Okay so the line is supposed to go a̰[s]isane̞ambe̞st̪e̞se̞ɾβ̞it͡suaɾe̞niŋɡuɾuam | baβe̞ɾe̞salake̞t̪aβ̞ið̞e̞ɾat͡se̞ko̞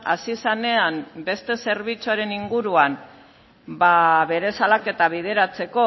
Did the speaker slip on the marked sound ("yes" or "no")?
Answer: no